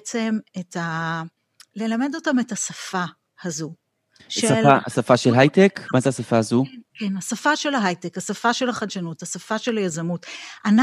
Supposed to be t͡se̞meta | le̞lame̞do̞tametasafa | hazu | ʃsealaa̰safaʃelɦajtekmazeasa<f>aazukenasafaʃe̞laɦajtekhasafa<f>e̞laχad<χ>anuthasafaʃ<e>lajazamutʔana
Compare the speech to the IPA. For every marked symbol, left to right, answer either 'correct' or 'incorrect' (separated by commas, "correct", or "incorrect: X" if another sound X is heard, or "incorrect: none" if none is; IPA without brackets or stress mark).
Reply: correct, incorrect: ʃ, incorrect: ʃ, correct